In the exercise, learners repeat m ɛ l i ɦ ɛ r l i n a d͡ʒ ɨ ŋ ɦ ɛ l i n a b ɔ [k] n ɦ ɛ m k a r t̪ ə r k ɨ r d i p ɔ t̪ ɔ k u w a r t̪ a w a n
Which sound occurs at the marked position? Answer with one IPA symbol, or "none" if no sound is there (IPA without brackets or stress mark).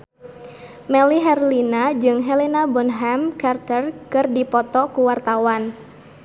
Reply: none